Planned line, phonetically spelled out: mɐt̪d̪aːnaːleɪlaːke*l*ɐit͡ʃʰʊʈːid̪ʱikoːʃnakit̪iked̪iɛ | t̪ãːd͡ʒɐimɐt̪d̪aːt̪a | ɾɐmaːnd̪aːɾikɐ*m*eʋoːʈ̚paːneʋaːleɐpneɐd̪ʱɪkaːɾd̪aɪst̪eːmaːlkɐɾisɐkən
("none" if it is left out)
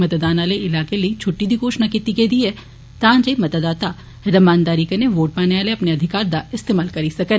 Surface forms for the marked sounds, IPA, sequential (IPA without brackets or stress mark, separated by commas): l, n